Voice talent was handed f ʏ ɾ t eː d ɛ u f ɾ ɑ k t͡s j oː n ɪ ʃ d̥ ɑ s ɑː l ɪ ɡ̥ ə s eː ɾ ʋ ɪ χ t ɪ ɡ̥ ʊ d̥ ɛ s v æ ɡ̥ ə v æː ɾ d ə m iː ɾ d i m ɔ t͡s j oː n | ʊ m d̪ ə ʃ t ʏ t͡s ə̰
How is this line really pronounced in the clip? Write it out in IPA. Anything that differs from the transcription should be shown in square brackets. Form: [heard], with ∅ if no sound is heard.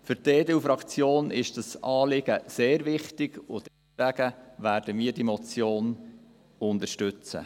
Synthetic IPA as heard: f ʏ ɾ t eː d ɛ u f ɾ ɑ k t͡s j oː n ɪ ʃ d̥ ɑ s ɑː l ɪ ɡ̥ ə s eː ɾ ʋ ɪ χ t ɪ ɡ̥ ʊ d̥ ɛ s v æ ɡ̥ ə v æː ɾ d ə m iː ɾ d i m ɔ t͡s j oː n | ʊ [n] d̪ ə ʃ t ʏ t͡s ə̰

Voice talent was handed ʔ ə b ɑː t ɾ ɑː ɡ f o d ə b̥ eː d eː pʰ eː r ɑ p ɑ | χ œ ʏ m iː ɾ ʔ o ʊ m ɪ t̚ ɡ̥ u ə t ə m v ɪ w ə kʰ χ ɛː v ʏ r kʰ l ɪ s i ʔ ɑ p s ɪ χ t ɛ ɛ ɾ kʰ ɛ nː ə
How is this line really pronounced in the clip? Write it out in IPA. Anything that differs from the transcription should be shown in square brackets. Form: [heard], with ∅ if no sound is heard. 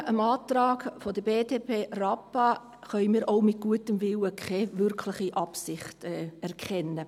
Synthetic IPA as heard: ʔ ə [m] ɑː t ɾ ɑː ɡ f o d ə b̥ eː d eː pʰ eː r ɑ p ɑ | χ œ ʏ m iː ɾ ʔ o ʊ m ɪ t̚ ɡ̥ u ə t ə m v ɪ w ə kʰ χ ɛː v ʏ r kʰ l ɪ [χ] i ʔ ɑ p s ɪ χ t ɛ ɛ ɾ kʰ ɛ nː ə

